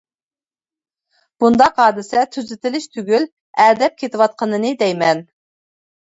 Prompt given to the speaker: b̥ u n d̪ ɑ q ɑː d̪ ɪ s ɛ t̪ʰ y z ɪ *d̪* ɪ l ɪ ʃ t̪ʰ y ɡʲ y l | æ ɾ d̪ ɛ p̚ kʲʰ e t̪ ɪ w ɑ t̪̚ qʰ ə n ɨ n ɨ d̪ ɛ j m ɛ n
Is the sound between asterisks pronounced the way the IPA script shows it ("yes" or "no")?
no